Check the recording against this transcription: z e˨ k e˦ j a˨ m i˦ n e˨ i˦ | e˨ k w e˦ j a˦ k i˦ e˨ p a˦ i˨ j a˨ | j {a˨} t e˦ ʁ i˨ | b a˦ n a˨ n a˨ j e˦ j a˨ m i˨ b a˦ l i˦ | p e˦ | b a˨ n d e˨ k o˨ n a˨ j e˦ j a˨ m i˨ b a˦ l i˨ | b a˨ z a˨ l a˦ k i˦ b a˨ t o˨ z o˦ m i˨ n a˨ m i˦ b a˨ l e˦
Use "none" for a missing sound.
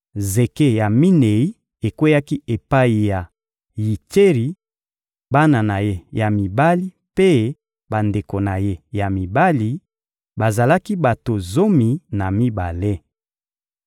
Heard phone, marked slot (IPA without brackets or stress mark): i˨